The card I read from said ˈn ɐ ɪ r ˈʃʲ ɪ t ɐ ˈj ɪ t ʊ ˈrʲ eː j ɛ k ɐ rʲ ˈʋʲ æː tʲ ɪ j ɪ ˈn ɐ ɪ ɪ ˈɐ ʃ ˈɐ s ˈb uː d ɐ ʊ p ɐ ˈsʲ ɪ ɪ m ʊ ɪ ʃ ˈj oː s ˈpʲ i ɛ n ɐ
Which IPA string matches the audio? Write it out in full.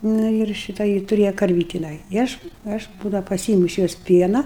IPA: ˈn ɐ ɪ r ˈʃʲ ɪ t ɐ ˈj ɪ t ʊ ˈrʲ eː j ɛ k ɐ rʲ ˈʋʲ iː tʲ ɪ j ɪ ˈn ɐ ɪ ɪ ˈɐ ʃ ˈɐ ʃ ˈb uː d ɐ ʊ p ɐ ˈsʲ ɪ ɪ m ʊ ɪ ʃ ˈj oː s ˈpʲ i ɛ n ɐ